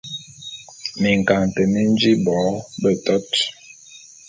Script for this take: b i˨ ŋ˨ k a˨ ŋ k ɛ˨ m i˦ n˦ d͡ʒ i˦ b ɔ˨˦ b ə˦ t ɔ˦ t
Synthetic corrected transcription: m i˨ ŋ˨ k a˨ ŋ t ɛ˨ m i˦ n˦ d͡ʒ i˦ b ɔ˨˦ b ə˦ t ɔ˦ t